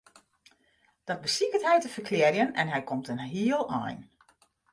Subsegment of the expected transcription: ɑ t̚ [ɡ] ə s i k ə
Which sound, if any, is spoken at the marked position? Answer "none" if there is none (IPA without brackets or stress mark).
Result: b